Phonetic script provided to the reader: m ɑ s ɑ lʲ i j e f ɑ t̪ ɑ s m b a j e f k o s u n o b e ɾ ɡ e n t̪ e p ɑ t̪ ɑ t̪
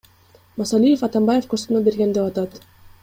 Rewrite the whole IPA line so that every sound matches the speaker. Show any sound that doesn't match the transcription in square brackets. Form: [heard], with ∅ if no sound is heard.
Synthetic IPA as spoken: m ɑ s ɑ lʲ i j e f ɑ t̪ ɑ [∅] m b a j e f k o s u n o b e ɾ ɡ e n [d̪] e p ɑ t̪ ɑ t̪